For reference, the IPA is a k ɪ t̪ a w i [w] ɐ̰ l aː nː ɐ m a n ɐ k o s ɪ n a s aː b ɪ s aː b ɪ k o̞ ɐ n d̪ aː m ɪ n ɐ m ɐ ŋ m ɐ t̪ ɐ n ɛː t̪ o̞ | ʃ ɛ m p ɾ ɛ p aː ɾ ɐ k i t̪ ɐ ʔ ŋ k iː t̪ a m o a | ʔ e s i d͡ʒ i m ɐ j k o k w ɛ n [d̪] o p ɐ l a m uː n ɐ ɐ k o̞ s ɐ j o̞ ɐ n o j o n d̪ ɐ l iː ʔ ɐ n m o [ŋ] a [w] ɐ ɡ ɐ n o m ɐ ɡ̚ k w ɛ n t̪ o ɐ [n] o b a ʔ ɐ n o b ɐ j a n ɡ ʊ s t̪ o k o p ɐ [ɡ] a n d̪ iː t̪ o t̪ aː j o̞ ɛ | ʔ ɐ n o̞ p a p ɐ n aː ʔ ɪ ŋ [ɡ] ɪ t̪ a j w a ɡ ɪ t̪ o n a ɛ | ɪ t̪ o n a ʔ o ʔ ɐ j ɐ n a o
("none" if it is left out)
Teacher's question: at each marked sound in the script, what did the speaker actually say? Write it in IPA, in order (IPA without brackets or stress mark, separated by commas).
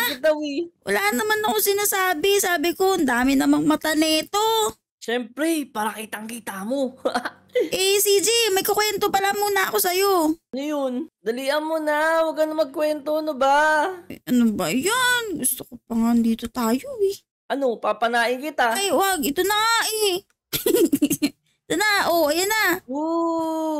w, t̪, n, w, n, ŋ, k